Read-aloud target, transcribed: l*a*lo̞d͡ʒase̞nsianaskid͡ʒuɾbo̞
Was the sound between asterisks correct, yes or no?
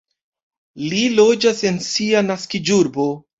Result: no